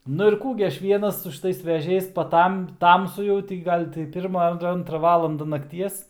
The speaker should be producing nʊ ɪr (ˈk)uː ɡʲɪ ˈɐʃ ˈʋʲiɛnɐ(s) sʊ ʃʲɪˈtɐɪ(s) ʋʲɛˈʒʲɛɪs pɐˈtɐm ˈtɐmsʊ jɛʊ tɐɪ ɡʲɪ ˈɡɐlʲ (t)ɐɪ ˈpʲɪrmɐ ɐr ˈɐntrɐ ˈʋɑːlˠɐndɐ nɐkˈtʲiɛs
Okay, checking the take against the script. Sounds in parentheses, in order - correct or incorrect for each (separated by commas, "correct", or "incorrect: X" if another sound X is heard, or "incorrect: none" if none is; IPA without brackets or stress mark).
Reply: correct, correct, correct, correct